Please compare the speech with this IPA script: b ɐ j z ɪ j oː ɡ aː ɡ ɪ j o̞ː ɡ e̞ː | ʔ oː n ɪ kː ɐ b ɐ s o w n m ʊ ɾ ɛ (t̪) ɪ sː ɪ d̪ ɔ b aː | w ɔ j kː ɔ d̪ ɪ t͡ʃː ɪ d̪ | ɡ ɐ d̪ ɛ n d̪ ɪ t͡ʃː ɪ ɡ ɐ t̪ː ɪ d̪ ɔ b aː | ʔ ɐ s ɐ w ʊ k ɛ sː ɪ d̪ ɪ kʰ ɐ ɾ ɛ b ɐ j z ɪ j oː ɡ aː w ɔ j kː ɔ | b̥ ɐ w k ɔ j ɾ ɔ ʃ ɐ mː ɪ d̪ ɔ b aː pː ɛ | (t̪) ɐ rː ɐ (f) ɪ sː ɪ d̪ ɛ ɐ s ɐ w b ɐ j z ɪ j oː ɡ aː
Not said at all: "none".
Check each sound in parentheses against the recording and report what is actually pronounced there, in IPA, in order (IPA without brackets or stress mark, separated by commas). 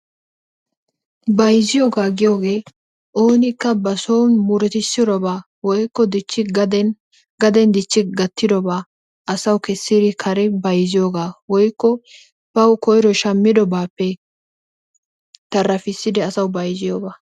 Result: t̪, t̪, f